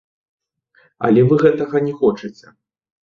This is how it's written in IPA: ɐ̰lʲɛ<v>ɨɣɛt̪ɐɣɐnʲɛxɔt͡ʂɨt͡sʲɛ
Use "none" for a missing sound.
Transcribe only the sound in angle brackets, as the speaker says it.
v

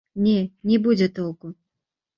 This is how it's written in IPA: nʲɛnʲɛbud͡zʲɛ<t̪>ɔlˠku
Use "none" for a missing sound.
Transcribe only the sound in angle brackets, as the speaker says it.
t̪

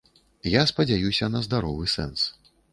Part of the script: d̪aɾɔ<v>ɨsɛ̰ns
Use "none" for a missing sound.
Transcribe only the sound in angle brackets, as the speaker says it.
v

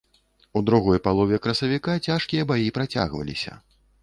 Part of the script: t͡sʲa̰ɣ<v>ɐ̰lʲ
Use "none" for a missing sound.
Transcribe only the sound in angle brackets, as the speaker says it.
v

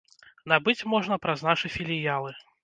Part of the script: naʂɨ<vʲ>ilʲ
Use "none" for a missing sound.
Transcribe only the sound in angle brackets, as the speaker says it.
fʲ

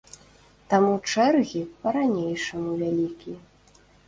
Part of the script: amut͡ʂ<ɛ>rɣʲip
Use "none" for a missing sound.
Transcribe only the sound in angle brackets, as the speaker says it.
ɛ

